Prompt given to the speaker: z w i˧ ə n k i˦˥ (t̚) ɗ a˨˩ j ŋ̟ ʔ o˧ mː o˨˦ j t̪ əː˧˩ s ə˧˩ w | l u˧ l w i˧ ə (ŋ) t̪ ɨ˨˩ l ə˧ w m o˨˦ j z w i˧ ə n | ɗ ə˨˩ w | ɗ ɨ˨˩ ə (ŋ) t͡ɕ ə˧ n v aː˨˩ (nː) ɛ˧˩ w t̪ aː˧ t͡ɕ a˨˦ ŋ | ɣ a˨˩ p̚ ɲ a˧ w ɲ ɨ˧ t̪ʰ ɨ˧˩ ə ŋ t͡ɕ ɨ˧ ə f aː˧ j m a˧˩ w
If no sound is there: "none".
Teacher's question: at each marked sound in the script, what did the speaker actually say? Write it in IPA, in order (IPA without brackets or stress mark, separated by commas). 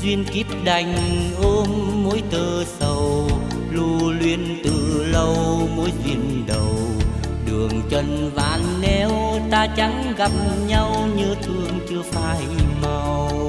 p̚, n, ŋ, nː